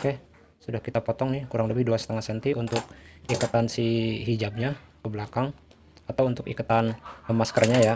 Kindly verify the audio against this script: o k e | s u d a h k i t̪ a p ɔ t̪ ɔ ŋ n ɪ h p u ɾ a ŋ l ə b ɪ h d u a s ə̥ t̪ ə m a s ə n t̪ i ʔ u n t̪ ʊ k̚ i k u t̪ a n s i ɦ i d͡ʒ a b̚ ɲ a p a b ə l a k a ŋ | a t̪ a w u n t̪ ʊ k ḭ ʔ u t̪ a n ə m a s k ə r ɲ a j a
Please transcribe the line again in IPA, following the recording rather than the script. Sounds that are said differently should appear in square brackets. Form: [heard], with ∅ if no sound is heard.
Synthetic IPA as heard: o k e | s u d a h k i t̪ a p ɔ t̪ ɔ ŋ n ɪ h [k] u ɾ a ŋ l ə b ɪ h d u a s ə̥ t̪ ə [ŋ] a s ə n t̪ i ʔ u n t̪ ʊ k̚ i k u t̪ a n s i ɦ i d͡ʒ a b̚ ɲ a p [ə] b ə l a k a ŋ | a t̪ a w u n t̪ ʊ k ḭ [k] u t̪ a n ə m a s k ə r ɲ a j a